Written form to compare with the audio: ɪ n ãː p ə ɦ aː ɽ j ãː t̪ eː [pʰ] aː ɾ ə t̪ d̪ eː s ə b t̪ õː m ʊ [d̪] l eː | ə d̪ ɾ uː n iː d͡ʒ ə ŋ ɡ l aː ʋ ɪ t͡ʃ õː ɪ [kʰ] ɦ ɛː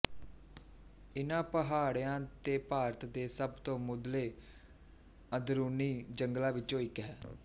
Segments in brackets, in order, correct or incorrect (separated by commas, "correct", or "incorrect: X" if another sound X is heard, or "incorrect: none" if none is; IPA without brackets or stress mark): incorrect: p, correct, incorrect: k